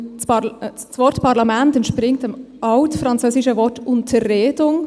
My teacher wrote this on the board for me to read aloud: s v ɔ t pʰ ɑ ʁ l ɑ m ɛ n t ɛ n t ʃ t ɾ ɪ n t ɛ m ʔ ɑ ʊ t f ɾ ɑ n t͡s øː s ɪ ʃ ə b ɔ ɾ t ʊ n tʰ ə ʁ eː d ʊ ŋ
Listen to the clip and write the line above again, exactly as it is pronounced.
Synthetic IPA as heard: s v ɔ t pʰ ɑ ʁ l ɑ m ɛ n t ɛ n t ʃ p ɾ ɪ ŋ t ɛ m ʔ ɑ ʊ t f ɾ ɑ n t͡s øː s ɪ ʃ ə v ɔ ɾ t ʊ n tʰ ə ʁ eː d ʊ ŋ